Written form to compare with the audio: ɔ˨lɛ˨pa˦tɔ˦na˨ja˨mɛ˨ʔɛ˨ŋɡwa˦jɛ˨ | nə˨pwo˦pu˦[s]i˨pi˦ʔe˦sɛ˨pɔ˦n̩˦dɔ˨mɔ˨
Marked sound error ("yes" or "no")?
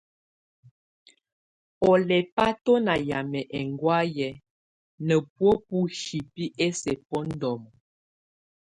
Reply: yes